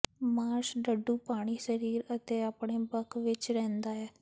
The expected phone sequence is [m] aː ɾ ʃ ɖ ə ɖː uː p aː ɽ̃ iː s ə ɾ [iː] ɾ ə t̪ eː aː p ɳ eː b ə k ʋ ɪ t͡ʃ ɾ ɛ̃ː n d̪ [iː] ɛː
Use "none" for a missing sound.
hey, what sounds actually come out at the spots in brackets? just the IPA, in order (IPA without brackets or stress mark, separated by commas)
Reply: m, iː, aː